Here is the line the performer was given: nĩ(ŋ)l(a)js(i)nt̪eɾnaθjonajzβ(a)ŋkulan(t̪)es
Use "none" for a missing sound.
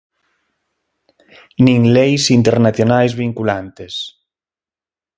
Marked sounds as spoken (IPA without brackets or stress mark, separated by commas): ŋ, e, i, i, t̪